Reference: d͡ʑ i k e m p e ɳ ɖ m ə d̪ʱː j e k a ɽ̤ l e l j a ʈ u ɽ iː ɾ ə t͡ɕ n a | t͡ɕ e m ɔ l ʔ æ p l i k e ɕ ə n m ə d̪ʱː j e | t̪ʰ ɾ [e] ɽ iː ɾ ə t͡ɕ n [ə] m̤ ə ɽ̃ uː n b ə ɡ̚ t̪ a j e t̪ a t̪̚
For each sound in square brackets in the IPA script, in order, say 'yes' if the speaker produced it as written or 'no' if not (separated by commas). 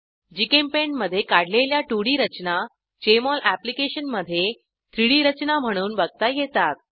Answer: no, no